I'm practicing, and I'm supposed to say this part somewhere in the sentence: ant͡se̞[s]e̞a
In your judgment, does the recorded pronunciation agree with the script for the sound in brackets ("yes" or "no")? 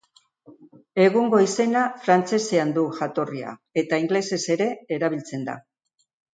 yes